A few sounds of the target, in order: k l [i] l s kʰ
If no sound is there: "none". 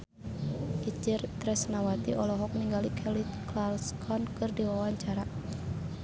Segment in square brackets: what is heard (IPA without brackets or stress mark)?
a